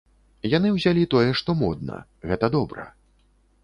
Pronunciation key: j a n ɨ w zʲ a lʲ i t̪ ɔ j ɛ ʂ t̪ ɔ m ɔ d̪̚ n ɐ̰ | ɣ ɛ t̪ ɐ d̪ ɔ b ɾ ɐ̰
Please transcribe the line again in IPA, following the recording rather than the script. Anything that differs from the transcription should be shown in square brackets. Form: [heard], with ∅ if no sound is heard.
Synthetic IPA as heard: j a n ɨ w zʲ a lʲ i t̪ ɔ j ɛ ʂ t̪ ɔ m ɔ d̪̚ n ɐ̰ | ɣ ɛ t̪ ɐ d̪ ɔ b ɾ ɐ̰

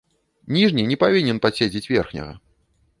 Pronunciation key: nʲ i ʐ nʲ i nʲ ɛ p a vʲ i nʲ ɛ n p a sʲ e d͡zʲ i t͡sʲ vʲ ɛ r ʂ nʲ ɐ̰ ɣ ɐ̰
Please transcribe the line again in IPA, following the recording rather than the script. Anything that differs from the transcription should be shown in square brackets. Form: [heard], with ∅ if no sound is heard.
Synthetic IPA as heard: nʲ i ʐ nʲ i nʲ ɛ p a vʲ i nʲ ɛ n p a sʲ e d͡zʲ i t͡sʲ vʲ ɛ r [x] nʲ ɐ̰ ɣ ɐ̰

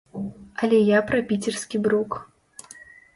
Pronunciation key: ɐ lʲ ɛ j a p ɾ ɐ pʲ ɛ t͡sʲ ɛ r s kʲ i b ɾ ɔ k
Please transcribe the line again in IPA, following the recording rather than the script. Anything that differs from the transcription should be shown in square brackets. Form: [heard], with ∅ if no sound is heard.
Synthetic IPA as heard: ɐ lʲ ɛ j a p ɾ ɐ pʲ [i] t͡sʲ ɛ r s kʲ i b ɾ [u] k

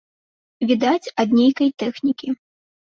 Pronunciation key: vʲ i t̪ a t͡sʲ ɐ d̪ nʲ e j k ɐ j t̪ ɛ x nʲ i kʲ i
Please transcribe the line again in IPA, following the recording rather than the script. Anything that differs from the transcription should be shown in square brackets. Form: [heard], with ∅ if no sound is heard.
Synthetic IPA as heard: vʲ i [d̪] a t͡sʲ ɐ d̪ nʲ e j k ɐ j t̪ ɛ x nʲ i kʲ i

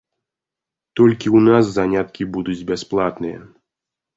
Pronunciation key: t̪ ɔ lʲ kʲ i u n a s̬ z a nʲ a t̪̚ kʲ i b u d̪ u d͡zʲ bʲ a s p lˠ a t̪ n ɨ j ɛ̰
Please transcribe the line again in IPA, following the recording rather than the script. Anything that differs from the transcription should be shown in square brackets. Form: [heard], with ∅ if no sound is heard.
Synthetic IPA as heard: t̪ ɔ lʲ kʲ i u n a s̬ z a nʲ a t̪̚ kʲ i b u d̪ u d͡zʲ bʲ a s p lˠ a t̪ n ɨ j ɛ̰

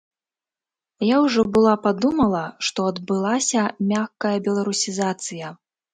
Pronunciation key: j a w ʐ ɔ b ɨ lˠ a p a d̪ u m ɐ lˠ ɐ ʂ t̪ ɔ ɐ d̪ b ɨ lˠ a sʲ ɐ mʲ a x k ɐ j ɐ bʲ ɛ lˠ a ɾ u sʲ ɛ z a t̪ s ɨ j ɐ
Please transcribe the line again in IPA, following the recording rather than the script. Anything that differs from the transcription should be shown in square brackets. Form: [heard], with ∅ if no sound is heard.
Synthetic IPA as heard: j a w ʐ ɔ b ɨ lˠ a p a d̪ u m ɐ lˠ ɐ ʂ t̪ ɔ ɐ d̪ b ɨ lˠ a sʲ ɐ mʲ a x k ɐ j ɐ bʲ ɛ lˠ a ɾ u sʲ [i] z a t̪ s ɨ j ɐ

